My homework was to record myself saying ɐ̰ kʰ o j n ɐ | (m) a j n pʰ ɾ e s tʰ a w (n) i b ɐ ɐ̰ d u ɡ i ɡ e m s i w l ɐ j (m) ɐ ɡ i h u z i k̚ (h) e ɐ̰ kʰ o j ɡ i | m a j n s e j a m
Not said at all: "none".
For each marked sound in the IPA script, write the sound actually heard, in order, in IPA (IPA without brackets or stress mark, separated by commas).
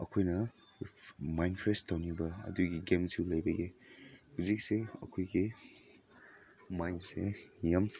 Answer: m, n, b, s